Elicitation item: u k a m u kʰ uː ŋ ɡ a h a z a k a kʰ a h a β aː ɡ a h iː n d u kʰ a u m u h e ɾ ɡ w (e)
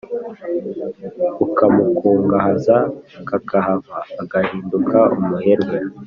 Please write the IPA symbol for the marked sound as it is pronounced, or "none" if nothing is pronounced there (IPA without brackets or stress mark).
e